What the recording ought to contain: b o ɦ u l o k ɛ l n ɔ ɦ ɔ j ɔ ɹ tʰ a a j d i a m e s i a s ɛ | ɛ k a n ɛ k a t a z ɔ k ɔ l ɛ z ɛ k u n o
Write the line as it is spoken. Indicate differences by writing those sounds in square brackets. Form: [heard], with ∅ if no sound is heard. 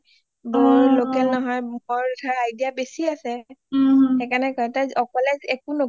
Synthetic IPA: b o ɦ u l o k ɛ l n ɔ ɦ ɔ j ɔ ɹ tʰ a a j d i a [b] e s i a s ɛ | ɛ k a n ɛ k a t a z ɔ k ɔ l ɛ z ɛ k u n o